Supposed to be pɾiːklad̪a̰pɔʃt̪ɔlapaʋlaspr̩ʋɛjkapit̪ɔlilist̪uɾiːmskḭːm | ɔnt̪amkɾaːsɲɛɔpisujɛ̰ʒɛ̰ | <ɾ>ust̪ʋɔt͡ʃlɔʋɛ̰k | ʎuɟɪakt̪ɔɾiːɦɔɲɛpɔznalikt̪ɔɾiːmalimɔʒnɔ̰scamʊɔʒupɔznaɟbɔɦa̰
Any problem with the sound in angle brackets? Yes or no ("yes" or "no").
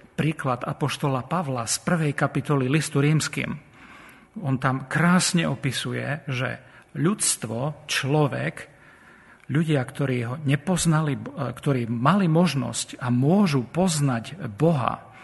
yes